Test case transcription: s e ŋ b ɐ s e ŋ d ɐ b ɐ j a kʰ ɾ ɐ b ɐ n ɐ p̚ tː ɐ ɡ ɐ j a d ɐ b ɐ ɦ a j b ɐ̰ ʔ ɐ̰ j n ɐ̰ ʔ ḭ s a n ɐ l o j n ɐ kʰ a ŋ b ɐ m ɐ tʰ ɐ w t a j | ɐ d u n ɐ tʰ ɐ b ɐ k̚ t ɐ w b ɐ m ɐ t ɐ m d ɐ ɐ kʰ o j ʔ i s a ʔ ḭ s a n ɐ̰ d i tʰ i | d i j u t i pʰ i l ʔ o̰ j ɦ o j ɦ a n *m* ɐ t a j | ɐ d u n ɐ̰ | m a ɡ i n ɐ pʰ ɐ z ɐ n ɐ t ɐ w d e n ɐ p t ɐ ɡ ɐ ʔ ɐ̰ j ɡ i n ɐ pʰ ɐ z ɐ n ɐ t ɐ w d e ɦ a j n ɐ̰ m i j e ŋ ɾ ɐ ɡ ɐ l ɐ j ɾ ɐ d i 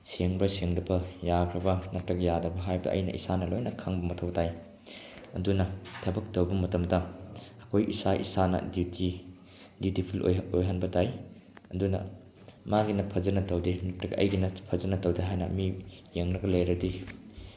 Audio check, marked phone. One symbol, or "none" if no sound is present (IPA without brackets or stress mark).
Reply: b